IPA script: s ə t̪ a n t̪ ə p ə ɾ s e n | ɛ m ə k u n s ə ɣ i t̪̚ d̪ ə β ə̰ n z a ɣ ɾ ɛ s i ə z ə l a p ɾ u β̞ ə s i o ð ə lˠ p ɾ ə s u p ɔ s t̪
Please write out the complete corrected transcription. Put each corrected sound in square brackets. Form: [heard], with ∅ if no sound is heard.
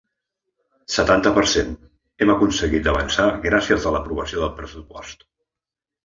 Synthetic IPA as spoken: s ə t̪ a n t̪ ə p ə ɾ s e n | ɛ m ə k u n s ə ɣ i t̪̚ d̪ ə β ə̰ n [s] a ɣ ɾ [a] s i ə z ə l [ə] p ɾ u β̞ ə s i o ð ə lˠ p ɾ ə s u p ɔ s t̪